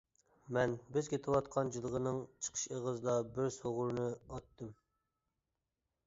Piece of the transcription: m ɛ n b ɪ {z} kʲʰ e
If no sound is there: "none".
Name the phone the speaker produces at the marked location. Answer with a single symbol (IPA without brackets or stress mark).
z